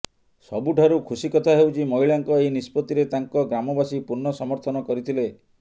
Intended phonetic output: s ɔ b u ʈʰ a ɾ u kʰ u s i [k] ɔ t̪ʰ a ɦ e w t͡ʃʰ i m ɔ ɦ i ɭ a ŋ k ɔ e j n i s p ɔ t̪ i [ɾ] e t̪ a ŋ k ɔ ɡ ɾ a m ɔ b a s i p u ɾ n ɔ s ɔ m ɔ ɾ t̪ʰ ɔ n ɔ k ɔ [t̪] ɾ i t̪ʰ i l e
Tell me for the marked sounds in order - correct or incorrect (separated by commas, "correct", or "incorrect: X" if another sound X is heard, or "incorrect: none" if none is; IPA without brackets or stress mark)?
correct, correct, incorrect: none